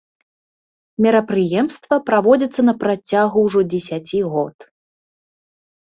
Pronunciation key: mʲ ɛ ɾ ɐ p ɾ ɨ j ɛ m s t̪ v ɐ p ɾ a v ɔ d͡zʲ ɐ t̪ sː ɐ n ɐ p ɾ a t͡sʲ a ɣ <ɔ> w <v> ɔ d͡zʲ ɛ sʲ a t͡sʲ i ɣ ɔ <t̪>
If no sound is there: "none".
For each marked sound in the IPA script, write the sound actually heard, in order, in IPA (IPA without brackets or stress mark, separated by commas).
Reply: u, ʐ, t̪